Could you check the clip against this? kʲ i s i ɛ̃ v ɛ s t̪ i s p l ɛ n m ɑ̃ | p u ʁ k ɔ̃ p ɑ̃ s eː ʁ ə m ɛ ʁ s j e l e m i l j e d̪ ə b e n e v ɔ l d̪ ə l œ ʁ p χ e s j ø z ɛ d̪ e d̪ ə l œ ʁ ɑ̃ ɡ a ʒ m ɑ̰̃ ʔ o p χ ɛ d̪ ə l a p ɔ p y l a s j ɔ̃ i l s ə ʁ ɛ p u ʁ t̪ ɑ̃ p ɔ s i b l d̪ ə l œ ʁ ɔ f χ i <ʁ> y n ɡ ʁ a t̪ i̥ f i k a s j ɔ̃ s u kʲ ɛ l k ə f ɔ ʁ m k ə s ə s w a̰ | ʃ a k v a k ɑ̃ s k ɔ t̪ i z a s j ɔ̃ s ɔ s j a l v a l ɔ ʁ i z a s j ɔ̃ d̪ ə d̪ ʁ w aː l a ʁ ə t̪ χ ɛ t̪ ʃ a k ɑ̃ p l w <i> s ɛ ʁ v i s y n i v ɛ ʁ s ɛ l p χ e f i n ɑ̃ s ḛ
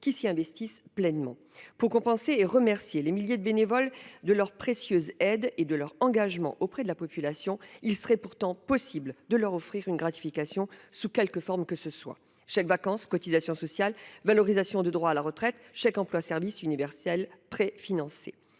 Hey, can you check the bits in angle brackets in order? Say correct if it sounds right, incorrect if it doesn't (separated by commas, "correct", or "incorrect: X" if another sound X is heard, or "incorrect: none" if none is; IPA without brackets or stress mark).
correct, incorrect: a